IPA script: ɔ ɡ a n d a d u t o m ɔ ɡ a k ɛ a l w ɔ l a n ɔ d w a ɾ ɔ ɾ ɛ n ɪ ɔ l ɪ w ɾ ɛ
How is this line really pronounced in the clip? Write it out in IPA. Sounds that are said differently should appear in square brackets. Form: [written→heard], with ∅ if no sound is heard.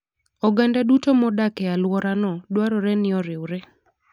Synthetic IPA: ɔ ɡ a n d a d u t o m ɔ [ɡ→d] a k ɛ a l w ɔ [l→ɾ] a n ɔ d w a ɾ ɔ ɾ ɛ n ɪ ɔ [l→ɾ] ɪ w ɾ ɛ

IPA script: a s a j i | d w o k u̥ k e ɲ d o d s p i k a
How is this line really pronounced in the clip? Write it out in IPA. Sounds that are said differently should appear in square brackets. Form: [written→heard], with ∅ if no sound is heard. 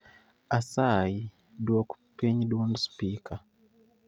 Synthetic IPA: a s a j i | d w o k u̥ [k→p] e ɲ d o [d→n] s p i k a

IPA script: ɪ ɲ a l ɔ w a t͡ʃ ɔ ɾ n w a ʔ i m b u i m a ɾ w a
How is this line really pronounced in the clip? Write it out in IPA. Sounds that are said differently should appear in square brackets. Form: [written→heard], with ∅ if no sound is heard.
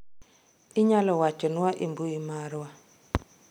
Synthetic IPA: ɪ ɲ a l ɔ w a t͡ʃ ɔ [ɾ→∅] n w a ʔ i m b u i m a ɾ w a

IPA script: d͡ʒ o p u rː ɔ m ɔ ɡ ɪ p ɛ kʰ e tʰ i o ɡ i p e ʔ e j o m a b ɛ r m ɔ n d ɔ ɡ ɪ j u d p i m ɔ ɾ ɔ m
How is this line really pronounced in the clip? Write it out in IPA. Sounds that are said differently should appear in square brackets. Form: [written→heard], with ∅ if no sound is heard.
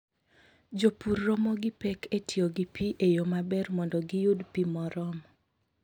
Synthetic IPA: d͡ʒ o p u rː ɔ m ɔ ɡ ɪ p ɛ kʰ e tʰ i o ɡ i p [e→i] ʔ e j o m a b ɛ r m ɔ n d ɔ ɡ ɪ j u d p i m ɔ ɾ ɔ m

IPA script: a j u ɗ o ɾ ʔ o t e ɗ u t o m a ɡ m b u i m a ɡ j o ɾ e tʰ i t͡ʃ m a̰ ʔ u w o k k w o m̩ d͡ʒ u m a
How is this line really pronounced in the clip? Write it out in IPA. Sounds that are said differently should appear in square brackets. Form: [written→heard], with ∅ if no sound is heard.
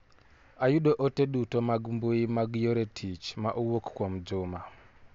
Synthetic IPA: a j u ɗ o [ɾ→∅] ʔ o t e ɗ u t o m a ɡ m b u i m a ɡ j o ɾ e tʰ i t͡ʃ m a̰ ʔ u w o k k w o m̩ d͡ʒ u m a

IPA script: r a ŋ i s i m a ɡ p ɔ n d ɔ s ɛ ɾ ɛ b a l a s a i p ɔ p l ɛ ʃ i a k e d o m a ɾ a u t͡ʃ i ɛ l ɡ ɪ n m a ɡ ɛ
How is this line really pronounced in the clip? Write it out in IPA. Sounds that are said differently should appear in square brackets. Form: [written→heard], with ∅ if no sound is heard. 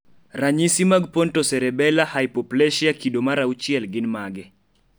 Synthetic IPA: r a [ŋ→ɲ] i s i m a ɡ p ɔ n [d→t] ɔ s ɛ ɾ ɛ b [a→ɛ] l a [s→h] a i p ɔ p l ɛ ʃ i a k [e→i] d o m a ɾ a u t͡ʃ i ɛ l ɡ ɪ n m a ɡ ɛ

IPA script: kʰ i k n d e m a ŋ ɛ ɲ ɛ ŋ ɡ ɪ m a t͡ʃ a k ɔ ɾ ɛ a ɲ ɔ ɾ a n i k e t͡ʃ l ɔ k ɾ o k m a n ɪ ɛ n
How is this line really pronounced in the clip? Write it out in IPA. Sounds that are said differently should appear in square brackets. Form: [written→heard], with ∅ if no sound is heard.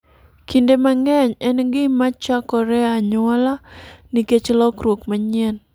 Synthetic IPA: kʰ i [k→∅] n d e m a ŋ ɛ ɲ ɛ [ŋ→n] ɡ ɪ m a t͡ʃ a k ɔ ɾ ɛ a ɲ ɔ [ɾ→l] a n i k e t͡ʃ l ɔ k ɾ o k m a [n→ɲ] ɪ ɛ n

